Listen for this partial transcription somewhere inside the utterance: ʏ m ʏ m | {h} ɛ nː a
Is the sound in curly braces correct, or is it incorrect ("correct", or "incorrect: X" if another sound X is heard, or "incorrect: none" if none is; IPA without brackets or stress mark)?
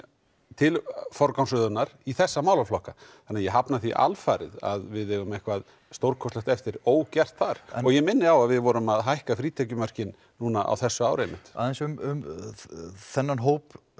incorrect: θ